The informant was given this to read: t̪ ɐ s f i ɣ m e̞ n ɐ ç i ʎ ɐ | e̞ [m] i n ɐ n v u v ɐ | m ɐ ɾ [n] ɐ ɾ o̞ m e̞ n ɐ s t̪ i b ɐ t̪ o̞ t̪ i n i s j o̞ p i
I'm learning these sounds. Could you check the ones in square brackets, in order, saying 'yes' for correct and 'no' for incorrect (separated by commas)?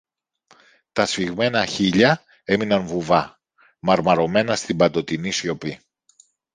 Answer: yes, no